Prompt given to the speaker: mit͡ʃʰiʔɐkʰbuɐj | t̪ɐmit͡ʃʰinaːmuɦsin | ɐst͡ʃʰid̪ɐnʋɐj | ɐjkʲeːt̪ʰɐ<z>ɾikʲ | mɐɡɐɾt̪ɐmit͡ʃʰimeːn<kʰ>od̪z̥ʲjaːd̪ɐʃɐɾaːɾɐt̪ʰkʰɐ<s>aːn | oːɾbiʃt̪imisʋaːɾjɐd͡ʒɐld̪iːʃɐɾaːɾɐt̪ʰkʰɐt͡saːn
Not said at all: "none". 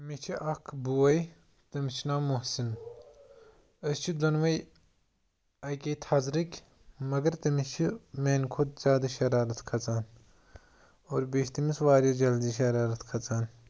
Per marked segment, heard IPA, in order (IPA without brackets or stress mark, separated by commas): z, kʰ, t͡s